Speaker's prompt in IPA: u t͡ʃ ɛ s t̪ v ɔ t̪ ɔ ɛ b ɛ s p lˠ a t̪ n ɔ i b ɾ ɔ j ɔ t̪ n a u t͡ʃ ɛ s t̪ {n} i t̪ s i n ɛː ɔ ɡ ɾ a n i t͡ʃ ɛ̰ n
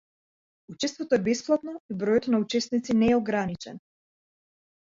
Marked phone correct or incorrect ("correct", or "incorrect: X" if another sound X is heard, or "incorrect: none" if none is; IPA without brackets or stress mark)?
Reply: correct